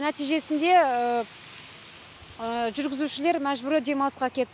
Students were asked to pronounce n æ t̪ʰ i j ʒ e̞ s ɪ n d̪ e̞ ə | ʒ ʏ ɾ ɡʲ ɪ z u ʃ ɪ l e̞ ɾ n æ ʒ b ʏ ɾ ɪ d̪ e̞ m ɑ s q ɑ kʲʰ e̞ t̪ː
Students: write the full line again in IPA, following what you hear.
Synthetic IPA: n æ t̪ i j ʒ e̞ s ɪ n d̪ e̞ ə | ʒ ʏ ɾ ɡʲ ɪ z u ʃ ɪ l e̞ ɾ m æ ʒ b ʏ ɾ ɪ d̪ e̞ m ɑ s q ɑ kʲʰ e̞ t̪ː